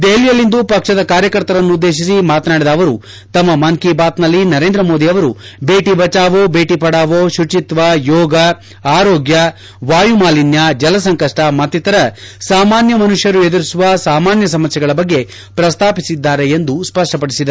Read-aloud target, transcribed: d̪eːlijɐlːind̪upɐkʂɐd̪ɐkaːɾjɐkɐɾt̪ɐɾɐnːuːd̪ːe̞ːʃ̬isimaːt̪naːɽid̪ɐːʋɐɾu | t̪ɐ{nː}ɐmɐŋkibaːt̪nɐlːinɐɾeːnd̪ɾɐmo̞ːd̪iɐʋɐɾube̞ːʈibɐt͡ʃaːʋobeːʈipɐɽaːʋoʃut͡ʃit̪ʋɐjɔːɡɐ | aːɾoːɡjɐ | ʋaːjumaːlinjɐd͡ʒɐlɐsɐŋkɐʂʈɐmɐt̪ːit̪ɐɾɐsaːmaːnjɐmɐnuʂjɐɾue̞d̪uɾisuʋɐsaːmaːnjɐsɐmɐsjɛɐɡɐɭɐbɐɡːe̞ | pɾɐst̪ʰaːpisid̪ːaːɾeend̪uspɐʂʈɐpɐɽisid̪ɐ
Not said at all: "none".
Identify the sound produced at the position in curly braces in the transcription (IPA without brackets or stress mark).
mː